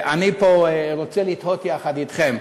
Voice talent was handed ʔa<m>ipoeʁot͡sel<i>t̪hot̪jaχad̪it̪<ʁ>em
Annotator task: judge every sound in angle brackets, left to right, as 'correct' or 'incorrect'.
incorrect, correct, incorrect

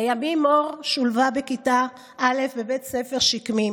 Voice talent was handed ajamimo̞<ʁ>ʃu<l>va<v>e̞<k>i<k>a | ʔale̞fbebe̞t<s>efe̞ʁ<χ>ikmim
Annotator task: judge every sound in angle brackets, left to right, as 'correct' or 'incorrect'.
correct, correct, incorrect, correct, incorrect, correct, incorrect

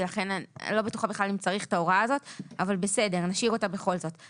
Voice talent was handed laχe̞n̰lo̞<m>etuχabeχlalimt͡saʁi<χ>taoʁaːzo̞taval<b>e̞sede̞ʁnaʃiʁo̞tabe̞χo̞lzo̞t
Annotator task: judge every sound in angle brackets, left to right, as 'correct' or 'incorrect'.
incorrect, correct, correct

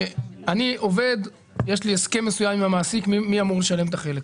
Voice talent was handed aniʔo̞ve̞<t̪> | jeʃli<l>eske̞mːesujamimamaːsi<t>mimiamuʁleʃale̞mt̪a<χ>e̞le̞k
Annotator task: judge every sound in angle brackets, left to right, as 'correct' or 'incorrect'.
incorrect, incorrect, incorrect, correct

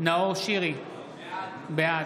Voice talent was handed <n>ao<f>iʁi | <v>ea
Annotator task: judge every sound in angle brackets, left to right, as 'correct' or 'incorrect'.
correct, incorrect, incorrect

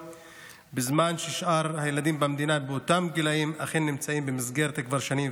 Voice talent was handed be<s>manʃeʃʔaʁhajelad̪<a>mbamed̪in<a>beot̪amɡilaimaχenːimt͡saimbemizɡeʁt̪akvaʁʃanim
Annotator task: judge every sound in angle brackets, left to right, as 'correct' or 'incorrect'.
incorrect, incorrect, correct

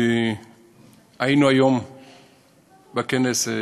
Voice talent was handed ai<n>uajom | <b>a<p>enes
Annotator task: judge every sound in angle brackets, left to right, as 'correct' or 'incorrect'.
correct, correct, incorrect

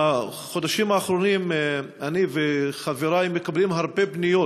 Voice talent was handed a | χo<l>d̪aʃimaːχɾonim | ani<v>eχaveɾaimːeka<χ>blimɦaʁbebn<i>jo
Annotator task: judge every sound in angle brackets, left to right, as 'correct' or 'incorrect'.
incorrect, correct, incorrect, correct

